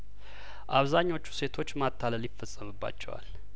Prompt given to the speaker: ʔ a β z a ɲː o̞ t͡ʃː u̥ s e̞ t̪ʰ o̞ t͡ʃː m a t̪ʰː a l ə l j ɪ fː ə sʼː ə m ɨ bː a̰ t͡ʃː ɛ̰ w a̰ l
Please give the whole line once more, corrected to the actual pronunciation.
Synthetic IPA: ʔ a β z a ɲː o̞ t͡ʃː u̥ s e̞ t̪ʰ o̞ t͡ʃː m a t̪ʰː a l ə l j ɪ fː ə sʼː ə m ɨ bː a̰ t͡ʃː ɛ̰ w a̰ l